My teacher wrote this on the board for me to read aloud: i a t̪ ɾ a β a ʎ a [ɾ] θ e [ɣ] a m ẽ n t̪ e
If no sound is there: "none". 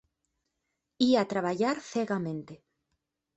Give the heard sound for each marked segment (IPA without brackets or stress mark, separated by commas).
ɾ, ɣ